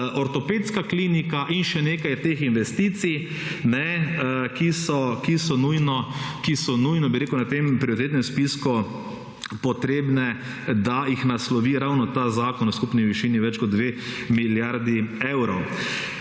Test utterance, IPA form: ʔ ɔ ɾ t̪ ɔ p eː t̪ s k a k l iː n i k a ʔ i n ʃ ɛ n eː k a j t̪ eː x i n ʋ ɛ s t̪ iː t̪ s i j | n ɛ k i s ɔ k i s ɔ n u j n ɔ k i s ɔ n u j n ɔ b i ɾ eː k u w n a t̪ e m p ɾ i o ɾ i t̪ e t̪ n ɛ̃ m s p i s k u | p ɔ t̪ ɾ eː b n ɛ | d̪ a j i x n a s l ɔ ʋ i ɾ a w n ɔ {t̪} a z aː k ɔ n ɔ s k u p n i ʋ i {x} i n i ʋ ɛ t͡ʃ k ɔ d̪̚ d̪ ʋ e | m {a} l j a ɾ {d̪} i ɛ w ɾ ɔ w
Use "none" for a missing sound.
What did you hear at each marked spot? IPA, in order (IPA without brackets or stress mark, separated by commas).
t̪, ʃ, i, d̪